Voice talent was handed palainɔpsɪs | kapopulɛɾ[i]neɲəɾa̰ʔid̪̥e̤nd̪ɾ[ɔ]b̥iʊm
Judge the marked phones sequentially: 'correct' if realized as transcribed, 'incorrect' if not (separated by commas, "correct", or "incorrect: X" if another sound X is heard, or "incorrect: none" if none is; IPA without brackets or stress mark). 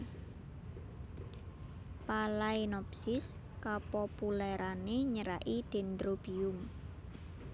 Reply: incorrect: a, incorrect: o